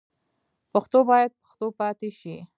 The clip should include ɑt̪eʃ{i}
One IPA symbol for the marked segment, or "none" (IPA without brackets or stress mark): i